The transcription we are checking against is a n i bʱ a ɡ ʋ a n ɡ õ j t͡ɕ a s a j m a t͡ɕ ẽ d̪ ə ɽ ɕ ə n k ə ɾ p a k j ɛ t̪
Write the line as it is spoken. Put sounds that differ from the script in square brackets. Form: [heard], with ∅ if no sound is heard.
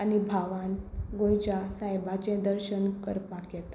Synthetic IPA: a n i bʱ a [∅] ʋ a n ɡ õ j t͡ɕ a s a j [b] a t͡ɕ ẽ d̪ ə [ɾ] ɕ ə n k ə ɾ p a k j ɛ t̪